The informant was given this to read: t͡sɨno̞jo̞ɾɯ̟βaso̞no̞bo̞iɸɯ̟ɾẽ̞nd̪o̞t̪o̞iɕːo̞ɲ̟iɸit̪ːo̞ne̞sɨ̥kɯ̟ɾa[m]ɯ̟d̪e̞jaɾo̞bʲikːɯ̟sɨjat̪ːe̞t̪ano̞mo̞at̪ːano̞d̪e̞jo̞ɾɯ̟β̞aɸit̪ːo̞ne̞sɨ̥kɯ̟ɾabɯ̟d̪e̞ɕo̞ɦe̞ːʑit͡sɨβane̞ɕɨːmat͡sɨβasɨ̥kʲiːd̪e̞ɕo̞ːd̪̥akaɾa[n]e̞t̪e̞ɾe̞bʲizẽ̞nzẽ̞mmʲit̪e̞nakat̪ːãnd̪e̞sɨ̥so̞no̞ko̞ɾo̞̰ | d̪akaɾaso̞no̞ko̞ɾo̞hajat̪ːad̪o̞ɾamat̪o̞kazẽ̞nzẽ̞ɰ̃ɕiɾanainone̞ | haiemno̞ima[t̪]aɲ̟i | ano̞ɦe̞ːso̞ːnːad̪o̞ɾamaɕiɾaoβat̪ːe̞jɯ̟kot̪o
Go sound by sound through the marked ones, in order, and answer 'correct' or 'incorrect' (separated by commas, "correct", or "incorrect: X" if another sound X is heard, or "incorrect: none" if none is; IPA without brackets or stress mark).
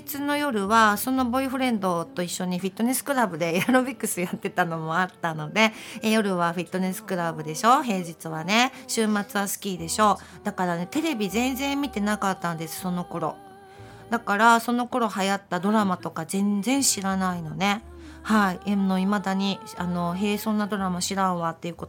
incorrect: b, correct, incorrect: d̪